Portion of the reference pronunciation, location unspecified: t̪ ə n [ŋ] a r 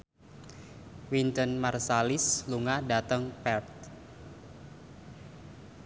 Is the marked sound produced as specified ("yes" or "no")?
no